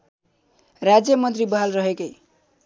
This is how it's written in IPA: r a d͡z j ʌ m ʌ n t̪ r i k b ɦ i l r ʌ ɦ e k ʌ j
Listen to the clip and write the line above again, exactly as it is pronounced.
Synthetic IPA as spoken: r a d͡z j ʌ m ʌ n t̪ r i b ɦ a l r ʌ ɦ e k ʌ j